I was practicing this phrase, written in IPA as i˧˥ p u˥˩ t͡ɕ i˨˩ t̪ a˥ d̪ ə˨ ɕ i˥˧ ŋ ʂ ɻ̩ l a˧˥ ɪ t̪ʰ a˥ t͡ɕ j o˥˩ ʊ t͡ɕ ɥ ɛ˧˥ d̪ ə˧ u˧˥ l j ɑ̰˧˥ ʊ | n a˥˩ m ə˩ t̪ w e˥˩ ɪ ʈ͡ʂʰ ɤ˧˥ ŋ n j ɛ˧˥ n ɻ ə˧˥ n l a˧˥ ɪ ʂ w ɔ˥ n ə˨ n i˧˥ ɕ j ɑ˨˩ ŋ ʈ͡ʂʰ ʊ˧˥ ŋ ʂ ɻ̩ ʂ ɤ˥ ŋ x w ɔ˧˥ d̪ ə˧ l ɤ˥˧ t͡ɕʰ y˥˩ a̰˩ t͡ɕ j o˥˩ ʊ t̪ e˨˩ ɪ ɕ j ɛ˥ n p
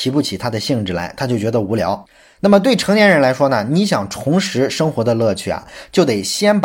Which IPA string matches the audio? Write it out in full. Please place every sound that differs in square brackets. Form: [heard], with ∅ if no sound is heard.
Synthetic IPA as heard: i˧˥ p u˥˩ [t͡ɕʰ] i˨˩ [t̪ʰ] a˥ d̪ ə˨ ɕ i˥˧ ŋ [ʈ͡ʂ] ɻ̩ l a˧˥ ɪ t̪ʰ a˥ t͡ɕ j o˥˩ ʊ t͡ɕ ɥ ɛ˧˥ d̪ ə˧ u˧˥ l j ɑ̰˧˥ ʊ | n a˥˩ m ə˩ t̪ w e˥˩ ɪ ʈ͡ʂʰ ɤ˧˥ ŋ n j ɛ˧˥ n ɻ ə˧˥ n l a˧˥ ɪ ʂ w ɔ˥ n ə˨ n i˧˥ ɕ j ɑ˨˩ ŋ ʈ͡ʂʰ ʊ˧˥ ŋ ʂ ɻ̩ ʂ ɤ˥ ŋ x w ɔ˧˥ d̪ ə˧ l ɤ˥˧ t͡ɕʰ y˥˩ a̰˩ t͡ɕ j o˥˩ ʊ t̪ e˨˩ ɪ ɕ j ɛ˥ n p